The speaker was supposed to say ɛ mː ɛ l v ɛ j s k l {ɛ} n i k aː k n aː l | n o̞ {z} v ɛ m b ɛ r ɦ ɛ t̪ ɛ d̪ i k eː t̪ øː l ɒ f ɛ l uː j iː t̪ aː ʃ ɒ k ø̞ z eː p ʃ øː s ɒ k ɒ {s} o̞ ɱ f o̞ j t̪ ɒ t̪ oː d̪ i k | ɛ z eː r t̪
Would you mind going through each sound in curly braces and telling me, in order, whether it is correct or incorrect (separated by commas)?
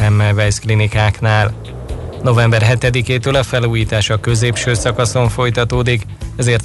incorrect, incorrect, correct